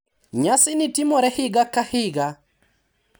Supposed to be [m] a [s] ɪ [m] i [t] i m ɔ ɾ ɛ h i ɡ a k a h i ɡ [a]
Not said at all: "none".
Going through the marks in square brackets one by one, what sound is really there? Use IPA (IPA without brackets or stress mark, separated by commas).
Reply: ɲ, s, n, t, a